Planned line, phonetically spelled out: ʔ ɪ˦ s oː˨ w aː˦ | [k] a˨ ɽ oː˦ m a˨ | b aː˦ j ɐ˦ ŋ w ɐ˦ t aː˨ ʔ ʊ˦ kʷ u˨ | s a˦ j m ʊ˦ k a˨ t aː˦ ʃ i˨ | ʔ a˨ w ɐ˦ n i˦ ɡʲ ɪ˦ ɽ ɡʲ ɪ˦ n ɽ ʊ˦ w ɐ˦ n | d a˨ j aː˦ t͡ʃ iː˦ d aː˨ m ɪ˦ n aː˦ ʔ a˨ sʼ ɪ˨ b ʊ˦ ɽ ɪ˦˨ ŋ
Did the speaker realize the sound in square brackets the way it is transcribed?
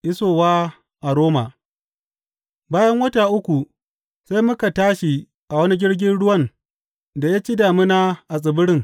no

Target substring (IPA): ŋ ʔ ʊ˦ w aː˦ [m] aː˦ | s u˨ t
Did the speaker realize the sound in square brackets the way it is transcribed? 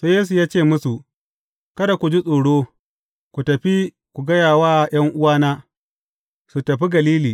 no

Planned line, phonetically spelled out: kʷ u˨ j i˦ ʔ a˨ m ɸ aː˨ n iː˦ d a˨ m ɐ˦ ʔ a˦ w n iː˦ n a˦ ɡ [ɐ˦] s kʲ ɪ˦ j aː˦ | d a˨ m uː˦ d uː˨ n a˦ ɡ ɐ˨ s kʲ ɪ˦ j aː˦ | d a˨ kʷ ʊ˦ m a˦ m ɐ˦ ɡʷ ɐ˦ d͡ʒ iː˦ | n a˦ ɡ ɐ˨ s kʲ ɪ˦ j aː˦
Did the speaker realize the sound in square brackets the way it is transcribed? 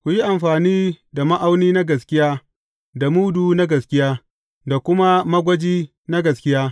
no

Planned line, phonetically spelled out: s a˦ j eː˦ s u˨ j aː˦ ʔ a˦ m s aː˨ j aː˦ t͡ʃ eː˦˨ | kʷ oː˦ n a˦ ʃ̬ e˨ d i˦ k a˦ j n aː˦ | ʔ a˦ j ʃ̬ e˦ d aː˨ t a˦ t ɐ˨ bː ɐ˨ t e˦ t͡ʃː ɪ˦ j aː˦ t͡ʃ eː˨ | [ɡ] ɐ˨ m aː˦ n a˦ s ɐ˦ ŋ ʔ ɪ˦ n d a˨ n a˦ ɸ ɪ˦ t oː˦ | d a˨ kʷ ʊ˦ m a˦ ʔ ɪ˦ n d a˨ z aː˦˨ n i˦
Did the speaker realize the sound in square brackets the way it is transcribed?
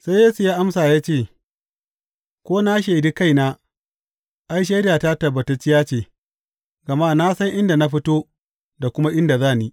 yes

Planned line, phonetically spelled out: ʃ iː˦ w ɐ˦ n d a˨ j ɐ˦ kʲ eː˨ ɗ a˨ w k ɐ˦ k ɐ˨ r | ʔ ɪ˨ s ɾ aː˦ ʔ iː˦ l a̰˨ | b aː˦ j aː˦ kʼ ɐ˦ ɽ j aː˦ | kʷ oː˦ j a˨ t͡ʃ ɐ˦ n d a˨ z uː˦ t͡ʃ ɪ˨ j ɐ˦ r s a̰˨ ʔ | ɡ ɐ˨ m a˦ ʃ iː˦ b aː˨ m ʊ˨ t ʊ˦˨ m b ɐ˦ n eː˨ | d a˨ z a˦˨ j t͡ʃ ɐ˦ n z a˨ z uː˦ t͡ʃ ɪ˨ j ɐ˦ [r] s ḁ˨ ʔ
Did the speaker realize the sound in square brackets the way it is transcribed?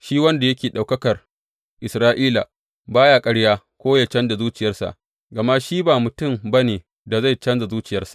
yes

